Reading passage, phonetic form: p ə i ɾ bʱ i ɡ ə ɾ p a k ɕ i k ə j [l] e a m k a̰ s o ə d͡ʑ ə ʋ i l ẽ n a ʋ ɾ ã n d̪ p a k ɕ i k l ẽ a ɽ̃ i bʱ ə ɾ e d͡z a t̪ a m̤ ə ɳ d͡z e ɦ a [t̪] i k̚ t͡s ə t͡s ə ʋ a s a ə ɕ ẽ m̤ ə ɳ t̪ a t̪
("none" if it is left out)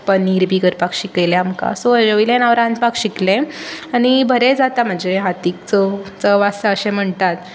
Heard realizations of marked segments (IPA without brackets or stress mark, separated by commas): l, t̪